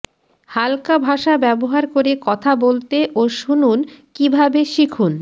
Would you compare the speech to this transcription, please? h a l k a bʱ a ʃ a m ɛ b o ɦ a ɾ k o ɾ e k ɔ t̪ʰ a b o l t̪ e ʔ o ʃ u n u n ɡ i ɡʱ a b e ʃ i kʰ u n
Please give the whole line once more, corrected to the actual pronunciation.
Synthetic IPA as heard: h a l k a bʱ a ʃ a b ɛ b o ɦ a ɾ k o ɾ e k ɔ t̪ʰ a b o l t̪ e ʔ o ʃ u n u n k i bʱ a b e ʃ i kʰ u n